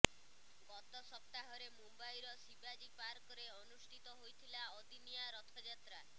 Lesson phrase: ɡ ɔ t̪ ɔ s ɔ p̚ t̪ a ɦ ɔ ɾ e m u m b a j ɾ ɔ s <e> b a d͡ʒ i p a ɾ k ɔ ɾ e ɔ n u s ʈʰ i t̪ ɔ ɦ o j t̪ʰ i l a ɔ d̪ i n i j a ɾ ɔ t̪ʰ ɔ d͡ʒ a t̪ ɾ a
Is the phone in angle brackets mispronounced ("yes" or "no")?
yes